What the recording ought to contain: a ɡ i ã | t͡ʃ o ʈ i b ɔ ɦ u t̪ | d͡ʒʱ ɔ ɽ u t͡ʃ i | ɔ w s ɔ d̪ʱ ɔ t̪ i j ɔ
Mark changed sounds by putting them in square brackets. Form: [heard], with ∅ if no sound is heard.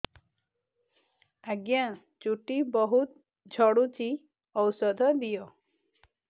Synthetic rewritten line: a ɡ [j] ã | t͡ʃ [u] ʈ i b ɔ ɦ u t̪ | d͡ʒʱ ɔ ɽ u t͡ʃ i | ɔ w s ɔ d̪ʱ ɔ [d̪] i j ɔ